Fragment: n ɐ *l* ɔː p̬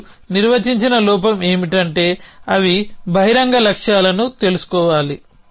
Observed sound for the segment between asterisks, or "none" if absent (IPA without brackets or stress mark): l